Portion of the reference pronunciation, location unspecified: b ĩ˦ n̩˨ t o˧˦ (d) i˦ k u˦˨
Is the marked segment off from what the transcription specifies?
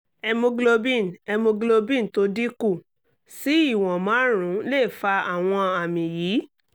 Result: no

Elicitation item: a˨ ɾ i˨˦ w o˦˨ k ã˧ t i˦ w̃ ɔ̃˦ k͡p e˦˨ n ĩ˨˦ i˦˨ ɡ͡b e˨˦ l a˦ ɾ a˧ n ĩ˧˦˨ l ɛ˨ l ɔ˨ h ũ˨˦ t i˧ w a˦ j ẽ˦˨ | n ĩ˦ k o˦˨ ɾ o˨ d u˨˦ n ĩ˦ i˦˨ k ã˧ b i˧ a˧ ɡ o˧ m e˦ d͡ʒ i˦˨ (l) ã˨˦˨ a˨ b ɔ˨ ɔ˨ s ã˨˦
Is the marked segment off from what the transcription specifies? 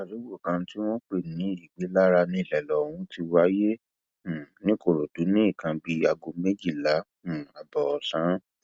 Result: no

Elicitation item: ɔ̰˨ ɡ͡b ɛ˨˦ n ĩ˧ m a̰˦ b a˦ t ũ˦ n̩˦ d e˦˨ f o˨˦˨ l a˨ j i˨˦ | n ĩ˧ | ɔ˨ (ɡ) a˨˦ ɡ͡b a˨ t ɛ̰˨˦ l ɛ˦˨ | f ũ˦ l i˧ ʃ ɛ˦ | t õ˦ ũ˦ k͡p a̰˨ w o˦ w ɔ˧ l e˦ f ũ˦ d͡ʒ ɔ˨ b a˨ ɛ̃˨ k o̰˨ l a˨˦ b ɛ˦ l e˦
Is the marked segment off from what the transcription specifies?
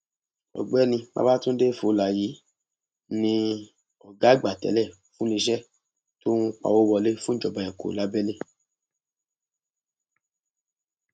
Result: no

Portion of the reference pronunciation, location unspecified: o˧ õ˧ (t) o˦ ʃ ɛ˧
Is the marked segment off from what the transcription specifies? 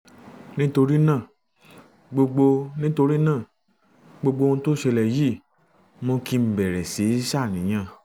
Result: no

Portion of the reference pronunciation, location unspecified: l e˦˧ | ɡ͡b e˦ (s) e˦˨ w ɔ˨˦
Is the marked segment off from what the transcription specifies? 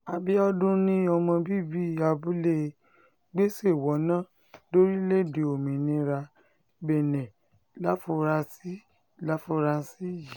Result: no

